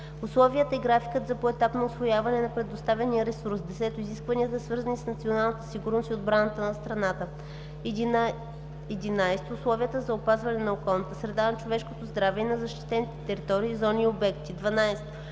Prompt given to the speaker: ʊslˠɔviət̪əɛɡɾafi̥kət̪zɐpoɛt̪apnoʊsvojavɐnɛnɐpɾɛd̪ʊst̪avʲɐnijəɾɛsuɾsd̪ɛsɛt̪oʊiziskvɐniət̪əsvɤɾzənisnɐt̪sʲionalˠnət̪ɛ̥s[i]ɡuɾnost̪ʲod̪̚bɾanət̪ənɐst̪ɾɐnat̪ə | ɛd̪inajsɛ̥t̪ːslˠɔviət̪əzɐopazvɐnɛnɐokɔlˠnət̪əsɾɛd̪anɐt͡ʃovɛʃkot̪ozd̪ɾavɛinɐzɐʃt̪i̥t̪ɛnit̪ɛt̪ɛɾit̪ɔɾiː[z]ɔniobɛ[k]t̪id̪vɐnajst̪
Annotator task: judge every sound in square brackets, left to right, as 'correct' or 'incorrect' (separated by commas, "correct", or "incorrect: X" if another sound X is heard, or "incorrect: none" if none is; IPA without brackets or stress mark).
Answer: correct, correct, correct